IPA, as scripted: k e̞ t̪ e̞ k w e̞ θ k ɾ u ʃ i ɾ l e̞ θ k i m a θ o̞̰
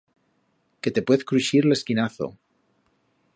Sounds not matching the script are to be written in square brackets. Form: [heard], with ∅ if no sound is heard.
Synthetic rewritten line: k e̞ t̪ e̞ [p] w e̞ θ k ɾ u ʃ i ɾ l e̞ [s] k i [n] a θ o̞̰

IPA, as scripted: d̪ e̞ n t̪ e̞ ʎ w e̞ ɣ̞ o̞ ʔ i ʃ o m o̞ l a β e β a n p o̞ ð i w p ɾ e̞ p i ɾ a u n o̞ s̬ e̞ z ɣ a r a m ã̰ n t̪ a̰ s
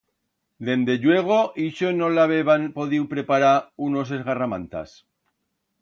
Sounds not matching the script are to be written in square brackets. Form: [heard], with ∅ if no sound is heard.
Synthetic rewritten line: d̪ e̞ n [d̪] e̞ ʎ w e̞ ɣ̞ o̞ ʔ i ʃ o [n] o̞ l a β e β a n p o̞ ð i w p ɾ e̞ p [a] ɾ a u n o̞ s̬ e̞ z ɣ a r a m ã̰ n t̪ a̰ s

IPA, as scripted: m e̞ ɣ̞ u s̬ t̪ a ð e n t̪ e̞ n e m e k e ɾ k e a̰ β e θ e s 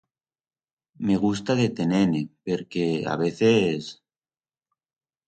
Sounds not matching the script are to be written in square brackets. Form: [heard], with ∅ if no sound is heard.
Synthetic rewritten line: m e̞ ɣ̞ u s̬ t̪ a ð e [∅] t̪ e̞ n e [n] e [p] e ɾ k e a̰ β e θ e s

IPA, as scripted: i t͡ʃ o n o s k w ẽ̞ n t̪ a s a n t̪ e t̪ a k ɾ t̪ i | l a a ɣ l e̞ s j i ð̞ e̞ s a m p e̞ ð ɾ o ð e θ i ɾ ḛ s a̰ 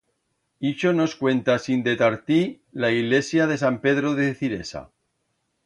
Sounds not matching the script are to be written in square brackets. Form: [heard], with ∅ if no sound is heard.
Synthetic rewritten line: i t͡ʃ o n o s k w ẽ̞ n t̪ a s [i] n [d̪] e t̪ a [∅] ɾ t̪ i | l a [i] ɣ l e̞ s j [a] ð̞ e̞ s a m p e̞ ð ɾ o ð e θ i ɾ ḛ s a̰

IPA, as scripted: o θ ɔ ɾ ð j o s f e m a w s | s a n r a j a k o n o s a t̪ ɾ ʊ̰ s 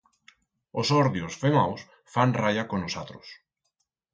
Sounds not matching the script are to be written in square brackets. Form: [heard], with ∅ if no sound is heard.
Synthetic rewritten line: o [s] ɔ ɾ ð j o s f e m a w s | [f] a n r a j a k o n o s a t̪ ɾ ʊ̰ s

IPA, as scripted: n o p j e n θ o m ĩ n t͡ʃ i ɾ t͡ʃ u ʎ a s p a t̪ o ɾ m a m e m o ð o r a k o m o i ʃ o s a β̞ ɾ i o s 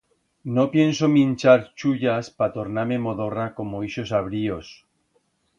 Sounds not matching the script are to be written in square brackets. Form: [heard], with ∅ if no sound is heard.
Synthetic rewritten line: n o p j e n [s] o m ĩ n t͡ʃ [a] ɾ t͡ʃ u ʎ a s p a t̪ o ɾ [n] a m e m o ð o r a k o m o i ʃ o s a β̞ ɾ i o s

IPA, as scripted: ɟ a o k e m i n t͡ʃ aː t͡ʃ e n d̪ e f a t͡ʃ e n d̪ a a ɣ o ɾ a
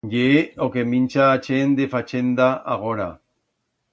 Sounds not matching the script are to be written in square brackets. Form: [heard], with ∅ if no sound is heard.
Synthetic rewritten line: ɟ [e] o k e m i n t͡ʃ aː t͡ʃ e n d̪ e f a t͡ʃ e n d̪ a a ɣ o ɾ a

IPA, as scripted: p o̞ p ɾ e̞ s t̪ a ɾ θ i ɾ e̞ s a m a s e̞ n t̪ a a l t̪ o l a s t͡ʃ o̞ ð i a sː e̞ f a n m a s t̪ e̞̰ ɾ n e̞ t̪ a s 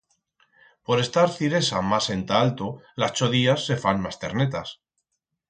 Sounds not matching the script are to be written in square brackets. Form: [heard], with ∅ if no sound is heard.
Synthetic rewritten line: p o̞ [∅] ɾ e̞ s t̪ a ɾ θ i ɾ e̞ s a m a s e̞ n t̪ a a l t̪ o l a s t͡ʃ o̞ ð i a sː e̞ f a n m a s t̪ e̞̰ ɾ n e̞ t̪ a s

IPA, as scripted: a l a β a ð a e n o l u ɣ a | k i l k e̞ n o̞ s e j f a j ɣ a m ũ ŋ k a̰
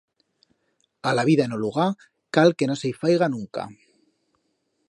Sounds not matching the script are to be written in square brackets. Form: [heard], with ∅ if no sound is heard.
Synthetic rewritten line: a l a β [i] ð a e n o l u ɣ a | k [a] l k e̞ n o̞ s e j f a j ɣ a [n] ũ ŋ k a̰

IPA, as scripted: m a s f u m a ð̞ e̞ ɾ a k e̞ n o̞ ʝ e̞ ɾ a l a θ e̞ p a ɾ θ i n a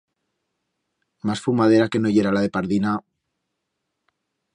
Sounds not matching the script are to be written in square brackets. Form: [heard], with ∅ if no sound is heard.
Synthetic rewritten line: m a s f u m a ð̞ e̞ ɾ a k e̞ n o̞ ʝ e̞ ɾ a l a [ð] e̞ p a ɾ [ð] i n a

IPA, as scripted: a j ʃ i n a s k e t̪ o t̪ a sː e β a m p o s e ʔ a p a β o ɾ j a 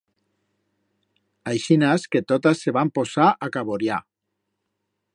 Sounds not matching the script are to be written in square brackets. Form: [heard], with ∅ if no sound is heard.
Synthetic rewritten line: a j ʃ i n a s k e t̪ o t̪ a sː e β a m p o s [a] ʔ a [k] a β o ɾ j a

